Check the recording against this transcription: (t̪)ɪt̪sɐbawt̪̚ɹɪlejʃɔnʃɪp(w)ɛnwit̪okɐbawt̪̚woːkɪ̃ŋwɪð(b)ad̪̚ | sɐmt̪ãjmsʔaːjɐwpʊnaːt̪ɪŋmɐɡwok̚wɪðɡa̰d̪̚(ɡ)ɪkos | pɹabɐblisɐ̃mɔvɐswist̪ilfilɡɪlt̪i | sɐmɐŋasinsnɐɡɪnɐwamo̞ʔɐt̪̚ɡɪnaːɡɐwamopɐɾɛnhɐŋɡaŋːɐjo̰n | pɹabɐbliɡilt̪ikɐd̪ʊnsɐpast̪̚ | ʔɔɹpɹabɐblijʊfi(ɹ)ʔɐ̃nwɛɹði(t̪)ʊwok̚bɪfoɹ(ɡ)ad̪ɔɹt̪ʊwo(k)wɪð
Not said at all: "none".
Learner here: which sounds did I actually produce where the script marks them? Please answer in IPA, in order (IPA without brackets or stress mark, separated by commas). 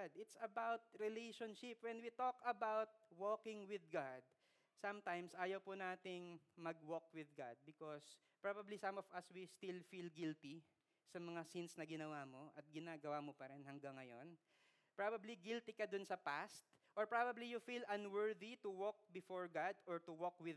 d̪, w, ɡ, b, l, t̪, ɡ, k